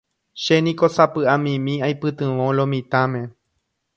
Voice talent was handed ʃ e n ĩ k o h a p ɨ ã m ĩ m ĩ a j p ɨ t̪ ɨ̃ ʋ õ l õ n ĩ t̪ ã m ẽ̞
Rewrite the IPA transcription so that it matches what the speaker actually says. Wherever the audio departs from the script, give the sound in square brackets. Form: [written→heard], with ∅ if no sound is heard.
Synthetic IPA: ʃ e n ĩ k o [h→s] a p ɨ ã m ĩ m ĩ a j p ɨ t̪ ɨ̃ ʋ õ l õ [n→m] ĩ t̪ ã m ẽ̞

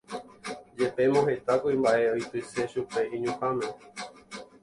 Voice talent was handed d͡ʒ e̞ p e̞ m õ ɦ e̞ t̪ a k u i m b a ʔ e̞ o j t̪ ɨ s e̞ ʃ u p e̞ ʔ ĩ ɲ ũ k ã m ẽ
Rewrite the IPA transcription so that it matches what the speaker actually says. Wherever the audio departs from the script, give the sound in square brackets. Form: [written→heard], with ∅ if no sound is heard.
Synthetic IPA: d͡ʒ e̞ p e̞ m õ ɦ e̞ t̪ a k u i m b a ʔ e̞ o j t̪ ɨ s e̞ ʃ u p e̞ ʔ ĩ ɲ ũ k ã m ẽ

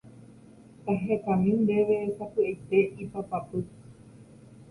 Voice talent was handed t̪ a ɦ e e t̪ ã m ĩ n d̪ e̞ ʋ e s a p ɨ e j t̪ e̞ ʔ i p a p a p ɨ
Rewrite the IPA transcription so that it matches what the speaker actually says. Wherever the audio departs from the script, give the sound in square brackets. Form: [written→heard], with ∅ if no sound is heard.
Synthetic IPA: t̪ a ɦ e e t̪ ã m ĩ n d̪ e̞ ʋ e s a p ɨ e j t̪ e̞ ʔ i p a p a p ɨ

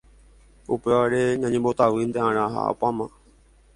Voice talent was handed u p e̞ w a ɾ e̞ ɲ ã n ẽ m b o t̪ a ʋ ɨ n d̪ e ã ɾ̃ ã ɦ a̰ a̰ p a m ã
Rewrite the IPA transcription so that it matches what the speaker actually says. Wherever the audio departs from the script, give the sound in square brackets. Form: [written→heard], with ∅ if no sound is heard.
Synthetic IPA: u p e̞ [w→ʋ] a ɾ e̞ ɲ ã [n→ɲ] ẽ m b o t̪ a ʋ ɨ n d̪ e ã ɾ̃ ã ɦ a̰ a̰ p a m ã

